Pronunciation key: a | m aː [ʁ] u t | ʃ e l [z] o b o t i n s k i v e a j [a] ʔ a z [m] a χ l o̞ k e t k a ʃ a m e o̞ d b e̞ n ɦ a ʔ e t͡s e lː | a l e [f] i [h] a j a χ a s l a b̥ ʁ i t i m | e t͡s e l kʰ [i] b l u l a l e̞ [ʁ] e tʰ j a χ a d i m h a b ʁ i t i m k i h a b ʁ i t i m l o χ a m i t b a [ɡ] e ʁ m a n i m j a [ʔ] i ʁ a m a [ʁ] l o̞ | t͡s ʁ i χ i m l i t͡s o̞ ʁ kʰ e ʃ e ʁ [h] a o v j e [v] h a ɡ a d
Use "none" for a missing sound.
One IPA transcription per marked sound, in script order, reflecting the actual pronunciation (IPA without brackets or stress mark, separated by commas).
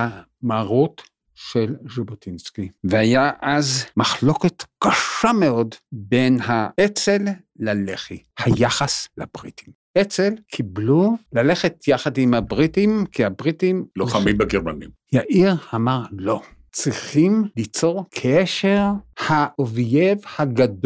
ʁ, ʒ, a, m, χ, h, i, χ, ɡ, ʔ, ʁ, h, v